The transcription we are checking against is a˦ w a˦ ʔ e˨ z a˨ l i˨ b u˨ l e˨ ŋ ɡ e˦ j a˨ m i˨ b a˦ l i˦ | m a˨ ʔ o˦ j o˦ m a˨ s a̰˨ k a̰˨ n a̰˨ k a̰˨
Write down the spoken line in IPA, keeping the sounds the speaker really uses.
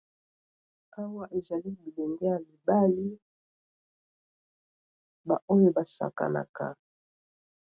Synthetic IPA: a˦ w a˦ ʔ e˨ z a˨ l i˦ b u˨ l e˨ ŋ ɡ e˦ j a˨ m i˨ b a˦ l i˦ | b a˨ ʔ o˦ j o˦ b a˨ s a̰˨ k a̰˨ n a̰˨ k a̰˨

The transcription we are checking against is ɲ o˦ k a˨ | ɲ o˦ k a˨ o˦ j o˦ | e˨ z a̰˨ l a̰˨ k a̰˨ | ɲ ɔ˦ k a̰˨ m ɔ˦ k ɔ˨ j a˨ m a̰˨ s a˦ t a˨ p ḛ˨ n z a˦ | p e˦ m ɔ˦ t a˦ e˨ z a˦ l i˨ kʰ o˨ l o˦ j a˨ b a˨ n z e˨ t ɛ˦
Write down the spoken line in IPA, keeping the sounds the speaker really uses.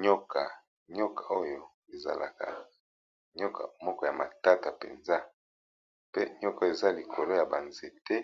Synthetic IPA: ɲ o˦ k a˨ | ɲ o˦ k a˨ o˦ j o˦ | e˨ z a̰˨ l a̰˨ k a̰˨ | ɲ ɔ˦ k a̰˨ m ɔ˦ k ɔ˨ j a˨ m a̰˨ t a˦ t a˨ p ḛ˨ n z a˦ | p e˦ ɲ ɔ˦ k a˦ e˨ z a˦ l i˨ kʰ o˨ l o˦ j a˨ b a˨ n z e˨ t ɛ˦

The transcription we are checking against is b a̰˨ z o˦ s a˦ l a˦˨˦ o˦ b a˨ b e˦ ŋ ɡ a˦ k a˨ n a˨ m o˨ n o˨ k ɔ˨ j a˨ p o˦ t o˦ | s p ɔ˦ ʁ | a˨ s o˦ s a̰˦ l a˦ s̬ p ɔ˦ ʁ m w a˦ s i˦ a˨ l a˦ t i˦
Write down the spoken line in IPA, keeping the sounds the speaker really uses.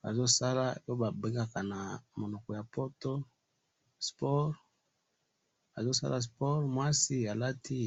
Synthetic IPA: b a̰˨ z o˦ s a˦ l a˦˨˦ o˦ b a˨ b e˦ ŋ ɡ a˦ k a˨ n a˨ m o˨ n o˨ k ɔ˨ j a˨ p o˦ t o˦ | s p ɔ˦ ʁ | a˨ z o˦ s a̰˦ l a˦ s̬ p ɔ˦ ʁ m w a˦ s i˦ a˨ l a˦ t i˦

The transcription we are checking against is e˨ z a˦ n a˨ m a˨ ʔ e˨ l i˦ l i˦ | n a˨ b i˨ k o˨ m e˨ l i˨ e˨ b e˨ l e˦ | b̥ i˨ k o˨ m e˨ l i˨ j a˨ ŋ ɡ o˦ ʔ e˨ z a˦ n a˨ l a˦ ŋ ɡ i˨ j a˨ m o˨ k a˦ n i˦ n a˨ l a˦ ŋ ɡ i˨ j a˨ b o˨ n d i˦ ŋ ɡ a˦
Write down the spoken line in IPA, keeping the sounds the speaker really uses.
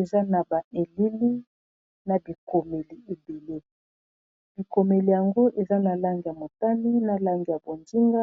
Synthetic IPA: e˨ z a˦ n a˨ b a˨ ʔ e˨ l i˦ l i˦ | n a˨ b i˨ k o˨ m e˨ l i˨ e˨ b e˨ l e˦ | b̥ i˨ k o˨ m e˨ l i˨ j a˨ ŋ ɡ o˦ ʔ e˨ z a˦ n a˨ l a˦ ŋ ɡ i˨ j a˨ m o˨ t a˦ n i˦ n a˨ l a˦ ŋ ɡ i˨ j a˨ b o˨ n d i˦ ŋ ɡ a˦

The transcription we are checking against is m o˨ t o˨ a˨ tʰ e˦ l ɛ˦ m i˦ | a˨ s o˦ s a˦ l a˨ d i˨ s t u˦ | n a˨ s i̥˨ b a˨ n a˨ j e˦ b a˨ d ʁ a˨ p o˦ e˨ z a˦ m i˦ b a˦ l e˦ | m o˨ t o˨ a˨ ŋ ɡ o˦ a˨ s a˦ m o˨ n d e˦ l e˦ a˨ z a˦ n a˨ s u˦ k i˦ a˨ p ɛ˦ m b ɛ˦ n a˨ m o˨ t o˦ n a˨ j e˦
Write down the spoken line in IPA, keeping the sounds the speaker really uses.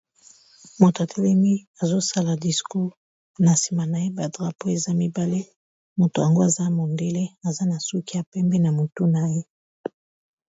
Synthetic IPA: m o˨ t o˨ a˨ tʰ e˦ l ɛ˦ m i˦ | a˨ z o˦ s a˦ l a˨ d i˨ s k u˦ | n a˨ s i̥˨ m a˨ n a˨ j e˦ b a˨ d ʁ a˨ p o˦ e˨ z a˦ m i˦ b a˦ l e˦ | m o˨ t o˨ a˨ ŋ ɡ o˦ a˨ z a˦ m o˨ n d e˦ l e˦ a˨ z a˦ n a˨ s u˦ k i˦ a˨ p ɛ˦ m b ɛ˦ n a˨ m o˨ t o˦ n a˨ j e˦

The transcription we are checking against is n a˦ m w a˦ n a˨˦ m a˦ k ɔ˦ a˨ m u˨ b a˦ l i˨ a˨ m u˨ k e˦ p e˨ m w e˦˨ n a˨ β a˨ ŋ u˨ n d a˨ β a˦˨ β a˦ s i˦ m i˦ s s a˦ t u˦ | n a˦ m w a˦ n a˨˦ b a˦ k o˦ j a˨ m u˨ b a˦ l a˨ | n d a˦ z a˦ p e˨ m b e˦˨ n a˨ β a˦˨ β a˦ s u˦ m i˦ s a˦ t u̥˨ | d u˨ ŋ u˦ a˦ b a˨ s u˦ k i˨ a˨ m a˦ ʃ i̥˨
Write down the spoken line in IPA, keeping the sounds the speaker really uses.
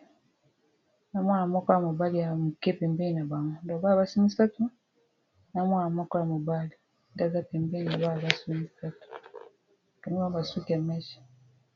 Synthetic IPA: n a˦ m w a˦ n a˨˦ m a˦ k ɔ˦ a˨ m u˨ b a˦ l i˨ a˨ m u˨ k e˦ p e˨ m b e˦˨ n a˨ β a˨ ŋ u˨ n d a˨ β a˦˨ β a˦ s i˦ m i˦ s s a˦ t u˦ | n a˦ m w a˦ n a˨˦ m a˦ k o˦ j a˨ m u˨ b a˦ l i˨ | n d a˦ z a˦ p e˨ m b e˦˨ n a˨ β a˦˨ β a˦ s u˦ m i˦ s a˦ t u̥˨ | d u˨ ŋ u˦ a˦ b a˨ s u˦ k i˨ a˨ m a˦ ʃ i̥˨

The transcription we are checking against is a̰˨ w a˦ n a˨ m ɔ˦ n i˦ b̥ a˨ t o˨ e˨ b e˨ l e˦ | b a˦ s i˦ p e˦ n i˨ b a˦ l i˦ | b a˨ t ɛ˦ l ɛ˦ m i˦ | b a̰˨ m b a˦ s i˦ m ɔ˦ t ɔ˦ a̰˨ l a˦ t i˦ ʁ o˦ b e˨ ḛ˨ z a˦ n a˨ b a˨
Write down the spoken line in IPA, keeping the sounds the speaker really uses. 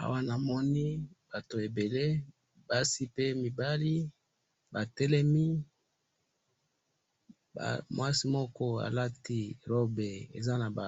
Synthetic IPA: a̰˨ w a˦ n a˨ m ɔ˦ n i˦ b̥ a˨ t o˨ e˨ b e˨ l e˦ | b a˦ s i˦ p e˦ m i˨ b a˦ l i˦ | b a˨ t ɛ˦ l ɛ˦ m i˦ | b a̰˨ m w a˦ s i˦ m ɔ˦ k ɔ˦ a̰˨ l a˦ t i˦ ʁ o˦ b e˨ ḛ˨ z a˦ n a˨ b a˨

